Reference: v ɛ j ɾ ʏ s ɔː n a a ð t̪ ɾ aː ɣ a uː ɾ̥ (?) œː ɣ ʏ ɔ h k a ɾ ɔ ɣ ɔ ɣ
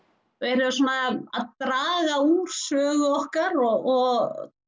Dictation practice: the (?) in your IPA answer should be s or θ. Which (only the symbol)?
s